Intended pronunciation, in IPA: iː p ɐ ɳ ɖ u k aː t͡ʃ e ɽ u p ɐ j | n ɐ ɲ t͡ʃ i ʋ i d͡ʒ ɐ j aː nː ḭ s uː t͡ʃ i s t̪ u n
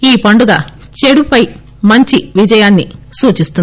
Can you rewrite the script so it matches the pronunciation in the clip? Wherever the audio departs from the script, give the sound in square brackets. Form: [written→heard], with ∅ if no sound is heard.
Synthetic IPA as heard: iː p ɐ ɳ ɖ u [k→ɡ] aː t͡ʃ e ɽ u p ɐ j | [n→m] ɐ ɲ t͡ʃ i ʋ i d͡ʒ ɐ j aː nː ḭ s uː t͡ʃ i s t̪ u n